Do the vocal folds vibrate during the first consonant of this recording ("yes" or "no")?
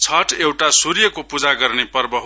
no